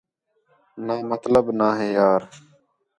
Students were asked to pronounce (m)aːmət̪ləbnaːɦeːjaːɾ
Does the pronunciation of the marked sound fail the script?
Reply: yes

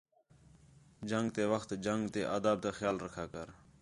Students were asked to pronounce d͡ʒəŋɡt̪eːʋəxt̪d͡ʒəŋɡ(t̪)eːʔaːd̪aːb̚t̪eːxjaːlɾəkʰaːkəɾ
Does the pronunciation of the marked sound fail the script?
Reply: no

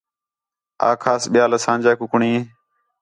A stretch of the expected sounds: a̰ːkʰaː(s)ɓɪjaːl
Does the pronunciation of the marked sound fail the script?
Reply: no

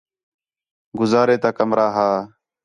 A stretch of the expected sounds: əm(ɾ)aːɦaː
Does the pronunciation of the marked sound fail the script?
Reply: no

